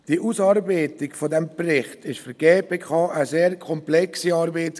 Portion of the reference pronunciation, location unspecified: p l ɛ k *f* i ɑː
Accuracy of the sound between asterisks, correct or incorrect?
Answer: incorrect